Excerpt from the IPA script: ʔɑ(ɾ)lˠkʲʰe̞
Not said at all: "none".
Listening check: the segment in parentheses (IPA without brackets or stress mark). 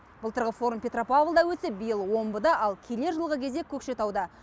none